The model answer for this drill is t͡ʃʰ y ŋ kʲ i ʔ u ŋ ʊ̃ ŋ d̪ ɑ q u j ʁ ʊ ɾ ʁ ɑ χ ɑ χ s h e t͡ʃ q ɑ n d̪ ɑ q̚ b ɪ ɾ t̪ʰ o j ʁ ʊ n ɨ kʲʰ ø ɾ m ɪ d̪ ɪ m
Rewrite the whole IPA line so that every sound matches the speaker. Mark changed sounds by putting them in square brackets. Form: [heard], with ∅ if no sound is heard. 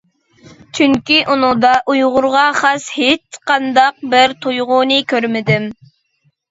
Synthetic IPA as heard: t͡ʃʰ y ŋ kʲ i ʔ u [n] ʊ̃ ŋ d̪ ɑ [ʔ] u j ʁ ʊ ɾ ʁ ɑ χ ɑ [∅] s h e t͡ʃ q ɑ n d̪ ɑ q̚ b ɪ ɾ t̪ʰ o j ʁ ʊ n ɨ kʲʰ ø ɾ m ɪ d̪ ɪ m